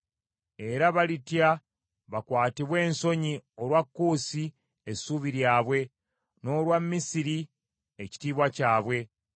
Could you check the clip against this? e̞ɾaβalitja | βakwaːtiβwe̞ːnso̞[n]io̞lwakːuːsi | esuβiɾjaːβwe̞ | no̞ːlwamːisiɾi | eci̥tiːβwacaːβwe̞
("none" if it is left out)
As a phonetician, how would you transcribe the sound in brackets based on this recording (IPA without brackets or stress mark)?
ɲ